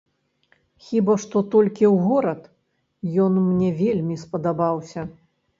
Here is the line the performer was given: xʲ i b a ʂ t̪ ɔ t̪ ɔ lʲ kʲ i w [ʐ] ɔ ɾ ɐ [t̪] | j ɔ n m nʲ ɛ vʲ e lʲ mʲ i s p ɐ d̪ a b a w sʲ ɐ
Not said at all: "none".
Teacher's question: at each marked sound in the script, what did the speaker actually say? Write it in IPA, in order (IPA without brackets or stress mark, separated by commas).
ɣ, t̪